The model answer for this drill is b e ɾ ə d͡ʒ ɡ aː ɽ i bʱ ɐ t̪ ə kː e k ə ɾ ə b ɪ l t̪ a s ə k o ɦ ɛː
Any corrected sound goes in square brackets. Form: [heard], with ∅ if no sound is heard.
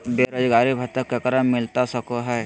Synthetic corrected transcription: b e ɾ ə d͡ʒ ɡ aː [ɾ] i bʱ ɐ t̪ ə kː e k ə ɾ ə [m] ɪ l t̪ a s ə k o ɦ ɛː